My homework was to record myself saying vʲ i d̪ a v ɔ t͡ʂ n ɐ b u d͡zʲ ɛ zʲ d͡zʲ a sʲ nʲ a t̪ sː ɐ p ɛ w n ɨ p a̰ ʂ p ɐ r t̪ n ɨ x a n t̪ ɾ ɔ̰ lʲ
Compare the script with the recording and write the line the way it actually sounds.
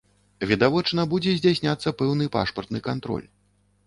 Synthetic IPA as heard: vʲ i d̪ a v ɔ t͡ʂ n ɐ b u d͡zʲ ɛ zʲ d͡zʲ a sʲ nʲ a t̪ sː ɐ p ɛ w n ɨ p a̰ ʂ p ɐ r t̪ n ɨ k a n t̪ ɾ ɔ̰ lʲ